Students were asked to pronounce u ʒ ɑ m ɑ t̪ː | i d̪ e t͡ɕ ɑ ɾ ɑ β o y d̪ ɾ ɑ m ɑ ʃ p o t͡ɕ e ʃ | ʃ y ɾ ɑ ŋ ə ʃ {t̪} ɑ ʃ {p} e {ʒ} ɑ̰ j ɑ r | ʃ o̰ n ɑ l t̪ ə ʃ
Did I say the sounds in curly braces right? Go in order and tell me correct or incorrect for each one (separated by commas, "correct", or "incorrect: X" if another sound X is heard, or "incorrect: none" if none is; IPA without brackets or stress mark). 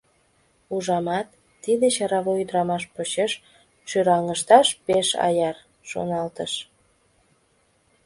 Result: correct, correct, incorrect: ʃ